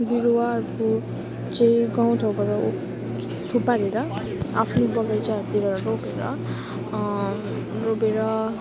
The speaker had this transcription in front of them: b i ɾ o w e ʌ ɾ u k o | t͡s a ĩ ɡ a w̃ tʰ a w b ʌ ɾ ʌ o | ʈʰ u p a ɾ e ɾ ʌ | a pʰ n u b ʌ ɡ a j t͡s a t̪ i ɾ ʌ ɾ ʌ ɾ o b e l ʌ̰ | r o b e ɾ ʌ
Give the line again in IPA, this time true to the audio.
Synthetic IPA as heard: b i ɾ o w a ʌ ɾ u k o | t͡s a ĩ ɡ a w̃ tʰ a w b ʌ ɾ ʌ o | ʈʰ u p a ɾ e ɾ ʌ | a pʰ n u b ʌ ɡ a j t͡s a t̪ i ɾ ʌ ɾ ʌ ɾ o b e ɾ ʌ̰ | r o b e ɾ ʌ

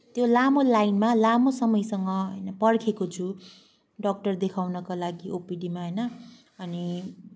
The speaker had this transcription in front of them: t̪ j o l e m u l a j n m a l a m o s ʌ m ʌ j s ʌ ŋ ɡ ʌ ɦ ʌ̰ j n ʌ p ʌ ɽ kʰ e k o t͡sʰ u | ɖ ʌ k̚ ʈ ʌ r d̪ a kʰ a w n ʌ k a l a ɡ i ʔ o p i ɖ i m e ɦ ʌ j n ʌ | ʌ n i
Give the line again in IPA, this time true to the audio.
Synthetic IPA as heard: t̪ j o l a m o l a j n m a l a m o s ʌ m ʌ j s ʌ ŋ ɡ ʌ ɦ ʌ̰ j n ʌ p ʌ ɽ kʰ e k o t͡sʰ u | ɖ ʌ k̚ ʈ ʌ r d̪ e kʰ a w n ʌ k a l a ɡ i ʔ o p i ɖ i m a ɦ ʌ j n ʌ | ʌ n i

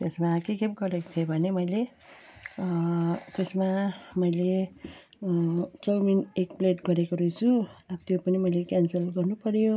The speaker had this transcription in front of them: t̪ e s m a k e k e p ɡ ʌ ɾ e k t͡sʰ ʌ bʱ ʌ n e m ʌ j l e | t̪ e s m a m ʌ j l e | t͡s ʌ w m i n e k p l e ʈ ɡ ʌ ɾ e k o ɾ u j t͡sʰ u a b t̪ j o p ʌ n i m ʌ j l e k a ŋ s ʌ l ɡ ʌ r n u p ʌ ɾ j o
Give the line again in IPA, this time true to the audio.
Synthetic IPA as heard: t̪ e s m a k e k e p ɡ ʌ ɾ e k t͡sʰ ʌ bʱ ʌ n e m ʌ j l e | t̪ e s m a m ʌ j l e | t͡s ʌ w m i n e k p l e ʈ ɡ ʌ ɾ e k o ɾ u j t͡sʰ u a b t̪ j o p ʌ n i m ʌ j l e k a n s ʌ l ɡ ʌ r n u p ʌ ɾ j o

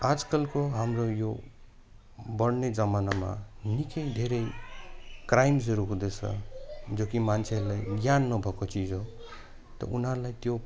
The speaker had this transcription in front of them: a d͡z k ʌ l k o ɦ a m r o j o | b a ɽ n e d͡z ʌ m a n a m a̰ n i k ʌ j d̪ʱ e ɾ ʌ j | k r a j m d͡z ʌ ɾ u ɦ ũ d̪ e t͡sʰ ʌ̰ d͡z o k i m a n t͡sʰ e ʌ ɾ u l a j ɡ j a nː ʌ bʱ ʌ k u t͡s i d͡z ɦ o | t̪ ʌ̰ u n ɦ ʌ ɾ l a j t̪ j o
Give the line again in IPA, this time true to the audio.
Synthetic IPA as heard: a d͡z k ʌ l k o ɦ a m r o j o | b ʌ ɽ n e d͡z ʌ m a n a m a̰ n i k ʌ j d̪ʱ e ɾ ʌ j | k r a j m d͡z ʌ ɾ u ɦ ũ d̪ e t͡sʰ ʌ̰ d͡z o k i m a n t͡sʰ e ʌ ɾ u l a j ɡ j a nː ʌ bʱ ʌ k o t͡s i d͡z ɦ o | t̪ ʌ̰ u n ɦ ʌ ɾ l a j t̪ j o

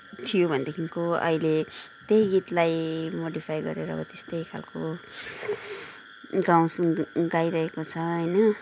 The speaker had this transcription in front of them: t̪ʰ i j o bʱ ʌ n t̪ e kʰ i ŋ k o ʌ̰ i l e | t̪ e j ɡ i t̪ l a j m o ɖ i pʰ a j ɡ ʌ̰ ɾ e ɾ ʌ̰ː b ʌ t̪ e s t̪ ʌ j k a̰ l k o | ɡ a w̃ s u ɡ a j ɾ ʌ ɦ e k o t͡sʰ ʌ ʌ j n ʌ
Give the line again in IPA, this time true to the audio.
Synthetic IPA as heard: t̪ʰ i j o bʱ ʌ n d̪ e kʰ i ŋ k o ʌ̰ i l e | t̪ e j ɡ i t̪ l a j m o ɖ i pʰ a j ɡ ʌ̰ ɾ e ɾ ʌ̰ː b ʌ t̪ e s t̪ ʌ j kʰ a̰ l k o | ɡ a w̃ s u ɡ a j ɾ ʌ ɦ e k o t͡sʰ ʌ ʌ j n ʌ

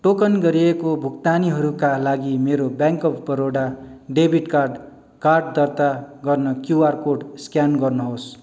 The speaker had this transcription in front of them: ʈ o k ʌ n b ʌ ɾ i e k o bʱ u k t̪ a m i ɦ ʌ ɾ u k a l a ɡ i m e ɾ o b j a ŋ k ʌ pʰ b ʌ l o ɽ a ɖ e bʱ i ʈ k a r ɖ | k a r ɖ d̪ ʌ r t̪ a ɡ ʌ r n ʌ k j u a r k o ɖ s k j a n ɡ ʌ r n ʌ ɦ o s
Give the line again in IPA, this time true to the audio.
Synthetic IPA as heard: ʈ o k ʌ n ɡ ʌ ɾ i e k o bʱ u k t̪ a n i ɦ ʌ ɾ u k a l a ɡ i m e ɾ o b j a ŋ k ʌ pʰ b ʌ ɾ o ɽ a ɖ e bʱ i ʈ k a r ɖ | k a r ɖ d̪ ʌ r t̪ a ɡ ʌ r n ʌ k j u a r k o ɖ s k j a n ɡ ʌ r n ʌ ɦ o s

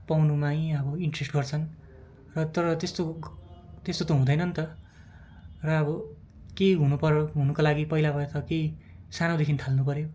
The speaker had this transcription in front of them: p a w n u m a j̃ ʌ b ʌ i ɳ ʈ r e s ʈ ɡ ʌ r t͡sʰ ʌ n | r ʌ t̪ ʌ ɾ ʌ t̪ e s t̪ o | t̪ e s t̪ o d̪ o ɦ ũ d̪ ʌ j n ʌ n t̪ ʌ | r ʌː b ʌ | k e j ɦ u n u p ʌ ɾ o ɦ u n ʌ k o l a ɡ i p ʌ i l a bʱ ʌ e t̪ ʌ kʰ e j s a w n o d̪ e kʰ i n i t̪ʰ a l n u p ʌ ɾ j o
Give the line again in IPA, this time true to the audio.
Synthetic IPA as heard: p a w n u m a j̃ ʌ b ʌ i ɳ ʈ r e s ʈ ɡ ʌ r t͡sʰ ʌ n | r ʌ t̪ ʌ ɾ ʌ t̪ e s t̪ o | t̪ e s t̪ o t̪ o ɦ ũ d̪ ʌ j n ʌ n t̪ ʌ | r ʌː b ʌ | k e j ɦ u n u p ʌ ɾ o ɦ u n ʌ k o l a ɡ i p ʌ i l a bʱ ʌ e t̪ ʌ k e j s a n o d̪ e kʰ i n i t̪ʰ a l n u p ʌ ɾ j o

